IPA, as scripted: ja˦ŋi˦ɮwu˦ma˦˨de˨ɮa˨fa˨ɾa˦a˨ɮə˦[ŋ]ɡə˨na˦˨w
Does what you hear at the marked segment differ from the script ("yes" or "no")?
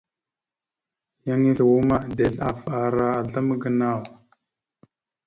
yes